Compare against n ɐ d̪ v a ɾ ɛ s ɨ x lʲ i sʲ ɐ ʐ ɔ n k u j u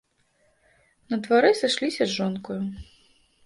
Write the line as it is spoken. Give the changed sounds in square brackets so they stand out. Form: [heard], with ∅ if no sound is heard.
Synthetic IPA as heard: n ɐ d̪ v a ɾ ɛ s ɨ [ʂ] lʲ i sʲ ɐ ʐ ɔ n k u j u